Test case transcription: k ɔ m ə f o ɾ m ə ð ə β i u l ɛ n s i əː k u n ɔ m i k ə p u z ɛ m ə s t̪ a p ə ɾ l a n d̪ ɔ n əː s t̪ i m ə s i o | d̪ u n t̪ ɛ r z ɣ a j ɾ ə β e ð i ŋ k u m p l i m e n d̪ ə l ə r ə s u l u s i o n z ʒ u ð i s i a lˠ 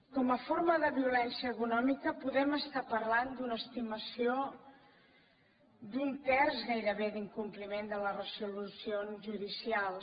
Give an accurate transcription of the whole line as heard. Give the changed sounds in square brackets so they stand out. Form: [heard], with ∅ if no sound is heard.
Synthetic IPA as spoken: k ɔ m ə f o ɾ m ə ð ə β i u l ɛ n s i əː k u n ɔ m i k ə p u [ð] ɛ m ə s t̪ a p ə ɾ l a n d̪ [u] n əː s t̪ i m ə s i o | d̪ u n t̪ ɛ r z ɣ a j ɾ ə β e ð i ŋ k u m p l i m e n d̪ ə l ə r ə s u l u s i o n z ʒ u ð i s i a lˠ

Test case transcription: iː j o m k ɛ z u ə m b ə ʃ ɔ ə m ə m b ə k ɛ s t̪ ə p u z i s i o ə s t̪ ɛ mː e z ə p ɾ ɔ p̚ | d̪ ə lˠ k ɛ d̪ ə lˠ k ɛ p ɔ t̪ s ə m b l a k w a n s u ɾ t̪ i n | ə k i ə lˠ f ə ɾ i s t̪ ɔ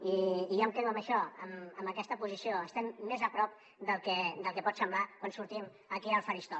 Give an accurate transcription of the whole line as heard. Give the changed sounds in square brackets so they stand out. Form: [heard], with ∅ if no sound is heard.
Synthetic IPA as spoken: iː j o m k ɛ [ð] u ə m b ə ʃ ɔ ə m ə m b ə k ɛ s t̪ ə p u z i s i o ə s t̪ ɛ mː e z ə p ɾ ɔ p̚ | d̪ ə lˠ k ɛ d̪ ə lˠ k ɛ p ɔ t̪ s ə m b l a k w a n s u ɾ t̪ i [m] | ə k i ə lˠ f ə ɾ i s t̪ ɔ

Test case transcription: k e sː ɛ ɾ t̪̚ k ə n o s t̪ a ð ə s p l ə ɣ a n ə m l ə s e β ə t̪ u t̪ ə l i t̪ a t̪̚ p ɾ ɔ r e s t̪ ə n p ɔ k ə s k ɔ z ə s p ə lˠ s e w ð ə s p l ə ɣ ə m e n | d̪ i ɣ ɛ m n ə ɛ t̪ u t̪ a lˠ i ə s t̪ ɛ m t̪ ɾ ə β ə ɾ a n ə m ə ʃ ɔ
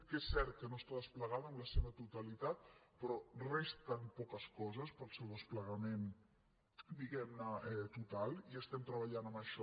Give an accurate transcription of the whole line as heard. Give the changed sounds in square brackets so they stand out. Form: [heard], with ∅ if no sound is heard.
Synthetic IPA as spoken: k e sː ɛ ɾ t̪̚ k ə n o s t̪ a ð ə s p l ə ɣ a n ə m l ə s e β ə t̪ u t̪ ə l i t̪ a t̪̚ p ɾ ɔ r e s t̪ ə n p ɔ k ə s k ɔ z ə s p ə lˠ s e w ð ə s p l ə ɣ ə m e n | d̪ i ɣ ɛ m n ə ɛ t̪ u t̪ a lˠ i ə s t̪ ɛ m t̪ ɾ ə β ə [ʎ] a n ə m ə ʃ ɔ

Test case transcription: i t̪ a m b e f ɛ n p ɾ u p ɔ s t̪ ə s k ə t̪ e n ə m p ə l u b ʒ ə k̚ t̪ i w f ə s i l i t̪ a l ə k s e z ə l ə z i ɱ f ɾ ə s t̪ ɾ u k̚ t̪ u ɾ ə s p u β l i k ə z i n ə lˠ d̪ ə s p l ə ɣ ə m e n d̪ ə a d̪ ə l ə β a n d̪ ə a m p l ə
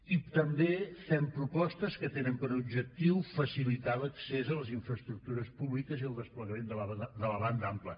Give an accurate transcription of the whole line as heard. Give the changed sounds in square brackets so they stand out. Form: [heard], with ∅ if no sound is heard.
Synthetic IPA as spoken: i t̪ [ə] m b e f ɛ [m] p ɾ u p ɔ s t̪ ə s k ə t̪ e n ə m p ə [ɾ] u b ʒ ə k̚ t̪ i w f ə s i l i t̪ a l ə k s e z ə l ə z i ɱ f ɾ ə s t̪ ɾ u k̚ t̪ u ɾ ə s p u β l i k ə z i [∅] ə lˠ d̪ ə s p l ə ɣ ə m e n d̪ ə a d̪ ə l ə β a n d̪ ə a m p l ə

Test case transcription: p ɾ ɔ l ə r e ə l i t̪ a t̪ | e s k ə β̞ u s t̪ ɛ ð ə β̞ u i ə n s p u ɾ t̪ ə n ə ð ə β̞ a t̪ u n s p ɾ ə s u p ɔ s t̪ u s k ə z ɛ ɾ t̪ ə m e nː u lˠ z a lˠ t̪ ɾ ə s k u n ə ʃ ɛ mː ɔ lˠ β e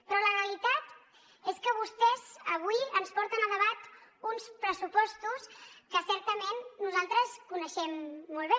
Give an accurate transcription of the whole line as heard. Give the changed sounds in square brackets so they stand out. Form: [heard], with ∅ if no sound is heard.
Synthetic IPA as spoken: p ɾ ɔ l ə r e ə l i t̪ a t̪ | e s k ə β̞ u s t̪ ɛ [z] ə β̞ u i ə n s p [ɔ] ɾ t̪ ə n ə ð ə β̞ a t̪ u n s p ɾ ə s u p ɔ s t̪ u s k ə [s] ɛ ɾ t̪ ə m e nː u [∅] z a lˠ t̪ ɾ ə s k u n ə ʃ ɛ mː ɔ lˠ β e

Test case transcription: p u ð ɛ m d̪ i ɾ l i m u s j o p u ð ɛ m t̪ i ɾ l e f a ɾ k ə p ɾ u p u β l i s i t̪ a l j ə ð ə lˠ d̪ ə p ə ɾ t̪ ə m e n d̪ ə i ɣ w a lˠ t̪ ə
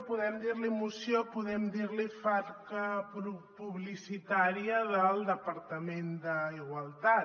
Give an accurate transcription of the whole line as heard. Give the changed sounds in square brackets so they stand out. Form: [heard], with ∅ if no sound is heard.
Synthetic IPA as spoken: p u ð ɛ m d̪ i ɾ l i m u s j o p u ð ɛ m [d̪] i ɾ l [i] f a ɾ k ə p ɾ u p u β l i s i t̪ a [ɾ] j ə ð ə lˠ d̪ ə p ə ɾ t̪ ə m e n d̪ ə i ɣ w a lˠ t̪ [a]

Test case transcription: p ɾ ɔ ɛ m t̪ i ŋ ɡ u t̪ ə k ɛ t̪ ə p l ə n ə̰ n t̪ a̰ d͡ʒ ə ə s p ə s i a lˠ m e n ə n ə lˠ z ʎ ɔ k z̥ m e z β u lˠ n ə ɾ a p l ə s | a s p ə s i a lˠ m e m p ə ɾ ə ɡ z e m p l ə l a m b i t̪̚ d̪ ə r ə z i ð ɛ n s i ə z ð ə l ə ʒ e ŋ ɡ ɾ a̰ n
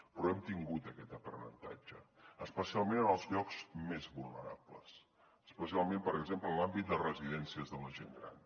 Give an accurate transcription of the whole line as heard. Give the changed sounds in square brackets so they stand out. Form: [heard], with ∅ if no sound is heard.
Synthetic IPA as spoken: p ɾ ɔ ɛ m t̪ i ŋ ɡ u t̪ ə k ɛ t̪ ə p [ɾ] ə n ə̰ n t̪ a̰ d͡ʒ ə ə s p ə s i a lˠ m e n ə n ə lˠ z ʎ ɔ k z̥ m e z β u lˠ n ə ɾ a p l ə s | [ə] s p ə s i a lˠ m e m p ə ɾ ə ɡ z e m p l ə l a m b i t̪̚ d̪ ə r ə z i ð ɛ n s i ə z ð ə l ə ʒ e ŋ ɡ ɾ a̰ n

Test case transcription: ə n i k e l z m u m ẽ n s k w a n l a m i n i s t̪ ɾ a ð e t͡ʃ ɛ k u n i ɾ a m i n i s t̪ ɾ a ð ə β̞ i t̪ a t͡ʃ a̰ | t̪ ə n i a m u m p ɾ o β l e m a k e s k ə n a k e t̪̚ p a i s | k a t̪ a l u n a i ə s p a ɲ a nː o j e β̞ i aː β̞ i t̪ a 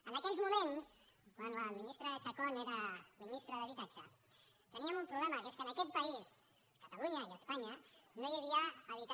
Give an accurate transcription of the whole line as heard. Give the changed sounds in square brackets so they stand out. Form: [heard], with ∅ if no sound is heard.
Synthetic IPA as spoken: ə n [a] k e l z m u m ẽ n s k w a n l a m i n i s t̪ ɾ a ð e t͡ʃ [a] k [o] n [e] ɾ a m i n i s t̪ ɾ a ð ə β̞ i t̪ a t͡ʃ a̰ | t̪ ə n i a m u m p ɾ [u] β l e m a k e s k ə n a k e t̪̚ p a i s | k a t̪ a l u [ɲ] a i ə s p a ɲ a [n] o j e β̞ i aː β̞ i t̪ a

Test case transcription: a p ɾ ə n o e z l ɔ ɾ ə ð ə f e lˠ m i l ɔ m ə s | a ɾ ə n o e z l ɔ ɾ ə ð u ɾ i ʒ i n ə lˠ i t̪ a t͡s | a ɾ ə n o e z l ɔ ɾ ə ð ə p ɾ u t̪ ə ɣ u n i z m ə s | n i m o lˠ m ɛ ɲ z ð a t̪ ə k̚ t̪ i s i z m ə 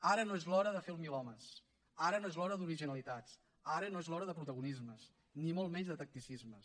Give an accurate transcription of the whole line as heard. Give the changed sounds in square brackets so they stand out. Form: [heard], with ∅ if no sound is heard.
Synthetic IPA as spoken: a [∅] ɾ ə n o e z l ɔ ɾ ə ð ə f e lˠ m i l ɔ m ə s | a ɾ ə n o e z l ɔ ɾ ə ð u ɾ i ʒ i n ə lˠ i t̪ a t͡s | a ɾ ə n o e z l ɔ ɾ ə ð ə p ɾ u t̪ ə ɣ u n i z m ə s | n i m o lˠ m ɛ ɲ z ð [ə] t̪ ə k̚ t̪ i s i z m ə

